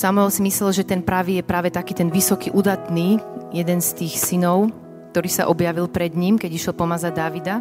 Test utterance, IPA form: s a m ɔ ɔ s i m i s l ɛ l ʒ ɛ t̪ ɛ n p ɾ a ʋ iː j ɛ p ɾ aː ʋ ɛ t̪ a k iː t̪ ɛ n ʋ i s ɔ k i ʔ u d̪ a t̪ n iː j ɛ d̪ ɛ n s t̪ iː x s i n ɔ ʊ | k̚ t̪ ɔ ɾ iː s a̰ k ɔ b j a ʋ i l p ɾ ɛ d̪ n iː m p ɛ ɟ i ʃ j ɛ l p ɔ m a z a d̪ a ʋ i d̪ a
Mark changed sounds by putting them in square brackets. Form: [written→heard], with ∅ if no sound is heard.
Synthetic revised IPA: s a m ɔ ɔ s i m i s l ɛ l ʒ ɛ t̪ ɛ n p ɾ a ʋ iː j ɛ p ɾ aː ʋ ɛ t̪ a k iː t̪ ɛ n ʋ i s ɔ k i ʔ u d̪ a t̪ n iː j ɛ d̪ ɛ n s t̪ iː x s i n ɔ ʊ | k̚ t̪ ɔ ɾ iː s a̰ [k→ʔ] ɔ b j a ʋ i l p ɾ ɛ d̪ [n→ɲ] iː m [p→k] ɛ ɟ i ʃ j ɛ l p ɔ m a z a d̪ a ʋ i d̪ a